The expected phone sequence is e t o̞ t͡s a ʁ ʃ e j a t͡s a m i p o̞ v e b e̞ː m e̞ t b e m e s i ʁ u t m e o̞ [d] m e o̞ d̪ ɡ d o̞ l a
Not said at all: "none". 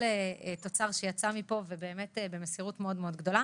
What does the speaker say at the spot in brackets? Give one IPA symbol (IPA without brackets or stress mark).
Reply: d